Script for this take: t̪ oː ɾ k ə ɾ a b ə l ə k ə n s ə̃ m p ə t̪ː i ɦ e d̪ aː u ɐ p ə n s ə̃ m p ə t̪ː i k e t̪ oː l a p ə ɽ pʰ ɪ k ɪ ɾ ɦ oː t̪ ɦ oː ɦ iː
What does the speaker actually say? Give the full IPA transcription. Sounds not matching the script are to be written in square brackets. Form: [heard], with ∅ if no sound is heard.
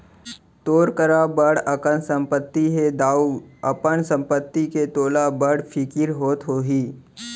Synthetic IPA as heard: t̪ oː ɾ k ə ɾ a b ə [ɽ] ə k ə n s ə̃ m p ə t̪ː i ɦ e d̪ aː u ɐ p ə n s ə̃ m p ə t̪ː i k e t̪ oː l a [b] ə ɽ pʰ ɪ k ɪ ɾ ɦ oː t̪ ɦ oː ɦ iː